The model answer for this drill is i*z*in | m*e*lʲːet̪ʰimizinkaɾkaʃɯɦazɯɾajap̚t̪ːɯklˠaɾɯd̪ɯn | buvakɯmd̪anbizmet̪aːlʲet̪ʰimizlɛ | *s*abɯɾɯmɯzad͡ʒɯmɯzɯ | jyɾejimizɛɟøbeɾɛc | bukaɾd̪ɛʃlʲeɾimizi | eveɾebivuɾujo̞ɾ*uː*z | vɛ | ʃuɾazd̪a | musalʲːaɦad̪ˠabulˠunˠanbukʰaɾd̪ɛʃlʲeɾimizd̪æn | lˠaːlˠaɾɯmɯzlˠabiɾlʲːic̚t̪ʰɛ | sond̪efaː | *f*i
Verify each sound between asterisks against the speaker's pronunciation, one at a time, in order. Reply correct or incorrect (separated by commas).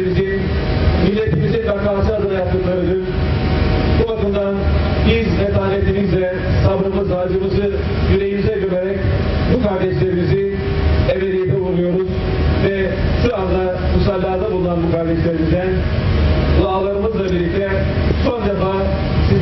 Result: correct, incorrect, correct, incorrect, incorrect